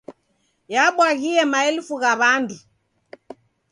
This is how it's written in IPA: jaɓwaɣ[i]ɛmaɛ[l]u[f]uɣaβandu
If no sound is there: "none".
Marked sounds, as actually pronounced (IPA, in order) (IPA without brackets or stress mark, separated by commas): i, l, f